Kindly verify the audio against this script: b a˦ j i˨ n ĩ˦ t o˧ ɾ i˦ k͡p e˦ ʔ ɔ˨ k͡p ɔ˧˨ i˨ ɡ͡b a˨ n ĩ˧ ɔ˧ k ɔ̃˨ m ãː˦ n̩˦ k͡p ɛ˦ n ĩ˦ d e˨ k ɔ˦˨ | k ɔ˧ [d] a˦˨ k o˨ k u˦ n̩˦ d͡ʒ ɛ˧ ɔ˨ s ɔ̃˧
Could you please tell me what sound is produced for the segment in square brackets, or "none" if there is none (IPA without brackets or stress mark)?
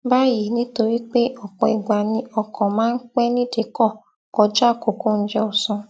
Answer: d͡ʒ